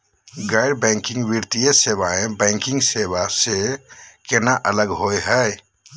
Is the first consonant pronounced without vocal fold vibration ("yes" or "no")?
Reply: no